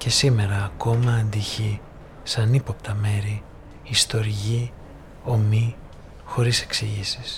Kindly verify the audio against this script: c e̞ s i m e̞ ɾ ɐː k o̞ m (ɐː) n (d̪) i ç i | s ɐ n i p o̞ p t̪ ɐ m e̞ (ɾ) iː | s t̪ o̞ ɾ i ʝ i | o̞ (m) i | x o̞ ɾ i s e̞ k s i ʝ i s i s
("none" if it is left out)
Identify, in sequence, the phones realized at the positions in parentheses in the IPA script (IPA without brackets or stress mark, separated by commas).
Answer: ɐː, d̪, ɾ, m